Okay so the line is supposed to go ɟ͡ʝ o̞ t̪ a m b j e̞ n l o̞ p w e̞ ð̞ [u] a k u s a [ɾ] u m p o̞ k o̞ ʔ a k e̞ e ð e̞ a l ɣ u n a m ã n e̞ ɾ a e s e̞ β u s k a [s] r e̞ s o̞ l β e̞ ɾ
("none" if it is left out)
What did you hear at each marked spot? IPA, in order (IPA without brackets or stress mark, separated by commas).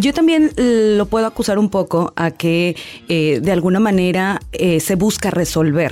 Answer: o, ɾ, none